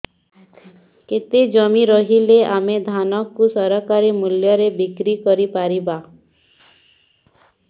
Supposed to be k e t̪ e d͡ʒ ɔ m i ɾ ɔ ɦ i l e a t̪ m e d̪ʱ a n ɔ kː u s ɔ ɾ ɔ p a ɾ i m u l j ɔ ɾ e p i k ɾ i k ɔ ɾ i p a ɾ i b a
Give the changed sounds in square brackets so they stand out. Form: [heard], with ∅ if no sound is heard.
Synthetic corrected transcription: k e t̪ e d͡ʒ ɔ m i ɾ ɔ ɦ i l e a [∅] m e d̪ʱ a n ɔ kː u s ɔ ɾ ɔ [k] a ɾ i m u l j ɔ ɾ e [b] i k ɾ i k ɔ ɾ i p a ɾ i b a

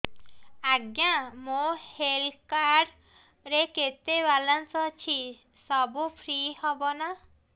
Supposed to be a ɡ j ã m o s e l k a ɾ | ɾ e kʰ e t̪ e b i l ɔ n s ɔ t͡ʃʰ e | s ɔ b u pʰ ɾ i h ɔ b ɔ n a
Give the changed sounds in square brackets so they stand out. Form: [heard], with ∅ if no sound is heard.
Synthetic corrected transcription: a ɡ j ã m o [h] e l k a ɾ | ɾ e [k] e t̪ e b [a] l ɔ n s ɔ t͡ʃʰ [i] | s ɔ b u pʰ ɾ i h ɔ b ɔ n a

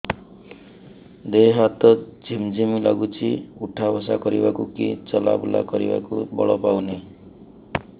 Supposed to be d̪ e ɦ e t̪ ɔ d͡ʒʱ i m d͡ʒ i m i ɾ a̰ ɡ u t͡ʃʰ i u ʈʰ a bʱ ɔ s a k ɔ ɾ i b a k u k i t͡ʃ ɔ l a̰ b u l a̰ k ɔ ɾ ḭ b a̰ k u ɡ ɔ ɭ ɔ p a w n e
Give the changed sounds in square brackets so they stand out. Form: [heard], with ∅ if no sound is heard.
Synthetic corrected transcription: d̪ e ɦ [a] t̪ ɔ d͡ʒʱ i m d͡ʒ i m i [l] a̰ ɡ u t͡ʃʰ i u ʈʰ a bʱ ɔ s a k ɔ ɾ i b a k u k i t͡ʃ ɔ l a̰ b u l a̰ k ɔ ɾ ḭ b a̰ k u [b] ɔ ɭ ɔ p a w n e

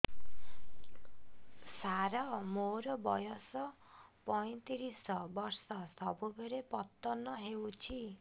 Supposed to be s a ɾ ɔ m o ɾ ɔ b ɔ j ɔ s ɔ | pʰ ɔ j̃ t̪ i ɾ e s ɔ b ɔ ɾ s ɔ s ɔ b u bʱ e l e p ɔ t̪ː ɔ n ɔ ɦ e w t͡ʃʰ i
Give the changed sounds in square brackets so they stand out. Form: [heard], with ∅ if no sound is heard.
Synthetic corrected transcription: s a ɾ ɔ m o ɾ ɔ b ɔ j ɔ s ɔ | [p] ɔ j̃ t̪ i ɾ [i] s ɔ b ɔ ɾ s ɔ s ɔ b u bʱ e [ɾ] e p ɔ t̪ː ɔ n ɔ ɦ e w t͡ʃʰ i

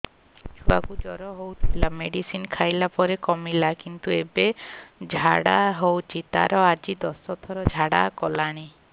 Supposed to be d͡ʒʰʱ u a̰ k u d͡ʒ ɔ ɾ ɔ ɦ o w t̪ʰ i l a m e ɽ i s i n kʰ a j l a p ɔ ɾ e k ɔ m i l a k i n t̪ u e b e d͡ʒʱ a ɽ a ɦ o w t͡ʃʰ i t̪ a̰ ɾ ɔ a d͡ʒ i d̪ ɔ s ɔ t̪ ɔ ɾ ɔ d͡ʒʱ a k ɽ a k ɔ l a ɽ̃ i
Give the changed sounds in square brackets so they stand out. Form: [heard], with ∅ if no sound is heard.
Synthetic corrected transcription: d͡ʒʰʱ u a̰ k u d͡ʒ ɔ ɾ ɔ ɦ o w t̪ʰ i l a m e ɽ i s i n kʰ a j l a p ɔ ɾ e k ɔ m i l a k i n t̪ u e b e d͡ʒʱ a ɽ a ɦ o w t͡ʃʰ i t̪ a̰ ɾ ɔ a d͡ʒ i d̪ ɔ s ɔ [t̪ʰ] ɔ ɾ ɔ d͡ʒʱ a [∅] ɽ a k ɔ l a ɽ̃ i

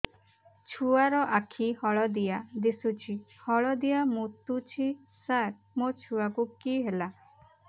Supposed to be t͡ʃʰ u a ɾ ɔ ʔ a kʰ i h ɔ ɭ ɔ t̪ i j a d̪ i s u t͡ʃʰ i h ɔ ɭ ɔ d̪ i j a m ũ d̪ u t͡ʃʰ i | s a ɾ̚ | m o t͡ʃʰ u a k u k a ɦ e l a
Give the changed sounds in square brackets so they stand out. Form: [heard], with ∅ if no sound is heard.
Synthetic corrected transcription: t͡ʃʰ u a ɾ ɔ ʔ a kʰ i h ɔ ɭ ɔ [d̪] i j a d̪ i s u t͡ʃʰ i h ɔ ɭ ɔ d̪ i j a m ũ [t̪] u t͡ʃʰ i | s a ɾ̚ | m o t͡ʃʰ u a k u k [i] ɦ e l a

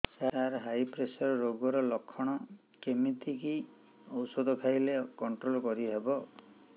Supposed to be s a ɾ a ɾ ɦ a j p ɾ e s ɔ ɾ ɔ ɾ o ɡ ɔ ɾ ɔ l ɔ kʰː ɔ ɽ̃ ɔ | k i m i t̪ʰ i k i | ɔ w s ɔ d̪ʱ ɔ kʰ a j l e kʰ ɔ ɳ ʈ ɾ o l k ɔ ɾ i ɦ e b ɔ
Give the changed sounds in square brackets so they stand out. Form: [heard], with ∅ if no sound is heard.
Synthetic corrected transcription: s a ɾ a ɾ ɦ a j p ɾ e s ɔ ɾ ɔ ɾ o ɡ ɔ ɾ ɔ l ɔ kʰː ɔ ɽ̃ ɔ | k [e] m i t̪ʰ i k i | ɔ w s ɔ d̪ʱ ɔ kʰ a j l e [k] ɔ ɳ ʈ ɾ o l k ɔ ɾ i ɦ e b ɔ

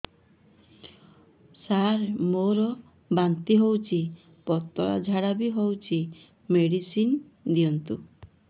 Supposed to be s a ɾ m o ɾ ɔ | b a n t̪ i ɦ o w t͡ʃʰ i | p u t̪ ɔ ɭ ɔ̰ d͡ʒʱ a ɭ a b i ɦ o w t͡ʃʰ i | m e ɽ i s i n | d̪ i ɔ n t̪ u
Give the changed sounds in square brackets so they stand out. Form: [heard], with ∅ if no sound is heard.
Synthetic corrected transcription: s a ɾ m o ɾ ɔ | b a n t̪ i ɦ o w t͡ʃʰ i | p [ɔ] t̪ ɔ ɭ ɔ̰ d͡ʒʱ a [ɽ] a b i ɦ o w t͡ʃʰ i | m e ɽ i s i n | d̪ i ɔ n t̪ u

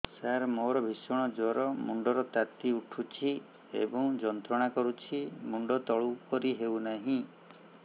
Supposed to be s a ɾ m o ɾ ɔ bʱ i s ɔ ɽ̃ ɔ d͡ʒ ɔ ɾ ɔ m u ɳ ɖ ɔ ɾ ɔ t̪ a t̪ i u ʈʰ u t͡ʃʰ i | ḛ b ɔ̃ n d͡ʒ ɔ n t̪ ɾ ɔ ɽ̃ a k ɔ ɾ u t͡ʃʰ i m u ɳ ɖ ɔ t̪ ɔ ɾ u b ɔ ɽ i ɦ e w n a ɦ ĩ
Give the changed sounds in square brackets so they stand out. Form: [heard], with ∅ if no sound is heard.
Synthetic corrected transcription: s a ɾ m o ɾ ɔ bʱ i s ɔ ɽ̃ ɔ d͡ʒ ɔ ɾ ɔ m u ɳ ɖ ɔ ɾ ɔ t̪ a t̪ i u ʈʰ u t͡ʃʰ i | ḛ b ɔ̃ [ŋ] d͡ʒ ɔ n t̪ ɾ ɔ ɽ̃ a k ɔ ɾ u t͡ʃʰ i m u ɳ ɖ ɔ t̪ ɔ [ɭ] u [p] ɔ [ɾ] i ɦ e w n a ɦ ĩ

